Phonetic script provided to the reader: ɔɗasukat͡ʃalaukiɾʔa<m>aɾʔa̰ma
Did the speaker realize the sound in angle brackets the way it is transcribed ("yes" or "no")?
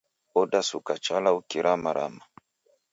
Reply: yes